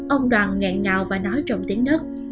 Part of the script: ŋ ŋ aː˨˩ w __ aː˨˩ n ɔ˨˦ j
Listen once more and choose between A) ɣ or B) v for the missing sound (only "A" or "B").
B